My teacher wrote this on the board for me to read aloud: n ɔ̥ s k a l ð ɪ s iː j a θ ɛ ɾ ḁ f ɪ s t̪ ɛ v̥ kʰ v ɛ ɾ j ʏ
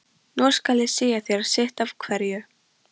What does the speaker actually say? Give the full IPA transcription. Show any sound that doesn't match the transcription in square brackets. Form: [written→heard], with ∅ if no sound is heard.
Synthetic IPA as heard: n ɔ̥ s k a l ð ɪ s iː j a θ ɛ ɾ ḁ [f→s] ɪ [s→h] t̪ [ɛ→a] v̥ kʰ v ɛ ɾ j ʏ